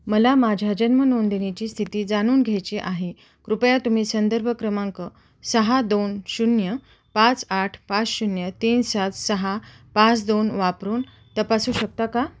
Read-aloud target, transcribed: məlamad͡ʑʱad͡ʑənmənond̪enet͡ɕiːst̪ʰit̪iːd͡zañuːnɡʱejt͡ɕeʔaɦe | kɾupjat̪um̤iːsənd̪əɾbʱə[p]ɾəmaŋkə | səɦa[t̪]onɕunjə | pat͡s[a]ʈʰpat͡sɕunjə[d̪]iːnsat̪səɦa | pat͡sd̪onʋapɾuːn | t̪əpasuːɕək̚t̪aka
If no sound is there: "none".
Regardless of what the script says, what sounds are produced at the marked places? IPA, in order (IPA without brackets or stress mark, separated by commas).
k, d̪, a, t̪